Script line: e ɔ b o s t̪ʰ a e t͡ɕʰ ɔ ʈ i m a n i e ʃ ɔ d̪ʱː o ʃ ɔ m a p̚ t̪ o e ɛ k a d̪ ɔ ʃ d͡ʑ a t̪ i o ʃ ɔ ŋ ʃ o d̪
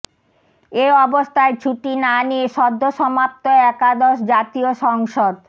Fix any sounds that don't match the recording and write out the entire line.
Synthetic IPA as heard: e ɔ b o s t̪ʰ a e t͡ɕʰ u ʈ i n a n i e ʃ ɔ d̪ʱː o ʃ ɔ m a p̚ t̪ o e ɛ k a d̪ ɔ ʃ d͡ʑ a t̪ i o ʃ ɔ ŋ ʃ o d̪